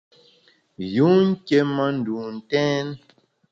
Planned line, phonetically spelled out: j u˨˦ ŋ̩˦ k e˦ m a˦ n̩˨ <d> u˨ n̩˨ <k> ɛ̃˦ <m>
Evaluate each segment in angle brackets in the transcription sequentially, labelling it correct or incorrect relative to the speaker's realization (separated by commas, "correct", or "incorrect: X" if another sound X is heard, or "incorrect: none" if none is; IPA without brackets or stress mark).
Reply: correct, incorrect: t, incorrect: n